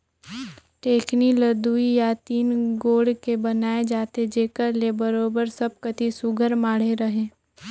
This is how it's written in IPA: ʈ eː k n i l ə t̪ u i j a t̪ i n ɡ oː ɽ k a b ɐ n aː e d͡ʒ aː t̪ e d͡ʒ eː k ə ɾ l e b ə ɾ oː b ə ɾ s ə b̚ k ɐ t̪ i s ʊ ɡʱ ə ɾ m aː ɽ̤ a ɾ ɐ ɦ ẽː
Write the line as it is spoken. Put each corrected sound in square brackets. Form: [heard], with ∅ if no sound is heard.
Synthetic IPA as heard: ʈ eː k n i l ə [d̪] u i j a t̪ [iː] n ɡ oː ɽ k [e] b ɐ n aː e d͡ʒ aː t̪ e d͡ʒ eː k ə ɾ l e b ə ɾ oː b ə ɾ s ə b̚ k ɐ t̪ i s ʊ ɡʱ ə ɾ m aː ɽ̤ [e] ɾ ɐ ɦ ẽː